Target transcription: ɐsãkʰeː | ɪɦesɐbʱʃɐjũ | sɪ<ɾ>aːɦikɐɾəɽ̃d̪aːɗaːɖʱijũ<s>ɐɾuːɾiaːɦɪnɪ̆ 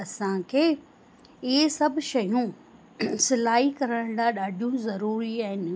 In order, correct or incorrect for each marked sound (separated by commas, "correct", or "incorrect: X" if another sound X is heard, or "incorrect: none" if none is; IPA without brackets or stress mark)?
incorrect: l, incorrect: z